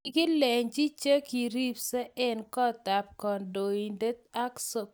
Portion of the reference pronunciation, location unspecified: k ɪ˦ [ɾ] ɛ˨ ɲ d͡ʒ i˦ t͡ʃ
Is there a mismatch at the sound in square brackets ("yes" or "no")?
yes